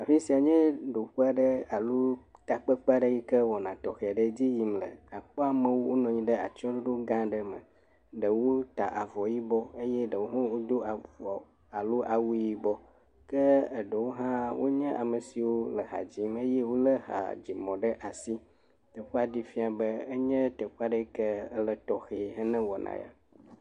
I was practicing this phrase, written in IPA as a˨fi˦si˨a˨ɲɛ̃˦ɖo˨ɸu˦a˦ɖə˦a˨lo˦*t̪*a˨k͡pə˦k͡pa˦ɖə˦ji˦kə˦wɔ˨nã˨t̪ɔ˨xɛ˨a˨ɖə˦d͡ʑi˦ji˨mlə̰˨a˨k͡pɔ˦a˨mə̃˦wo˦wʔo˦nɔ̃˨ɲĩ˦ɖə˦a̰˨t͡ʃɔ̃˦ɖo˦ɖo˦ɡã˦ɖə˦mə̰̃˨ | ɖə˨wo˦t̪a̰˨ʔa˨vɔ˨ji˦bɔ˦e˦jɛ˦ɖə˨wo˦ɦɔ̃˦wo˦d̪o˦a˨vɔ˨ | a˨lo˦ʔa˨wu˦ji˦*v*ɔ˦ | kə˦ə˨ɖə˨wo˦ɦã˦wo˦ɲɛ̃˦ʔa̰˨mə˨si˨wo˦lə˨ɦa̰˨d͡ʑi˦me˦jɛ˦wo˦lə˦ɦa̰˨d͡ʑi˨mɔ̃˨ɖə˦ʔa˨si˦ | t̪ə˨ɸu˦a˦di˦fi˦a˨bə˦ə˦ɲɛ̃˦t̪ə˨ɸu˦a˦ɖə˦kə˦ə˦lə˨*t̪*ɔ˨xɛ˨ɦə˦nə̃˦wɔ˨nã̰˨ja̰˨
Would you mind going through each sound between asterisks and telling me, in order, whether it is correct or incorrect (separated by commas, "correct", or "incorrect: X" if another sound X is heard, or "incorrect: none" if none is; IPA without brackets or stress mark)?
correct, incorrect: b, correct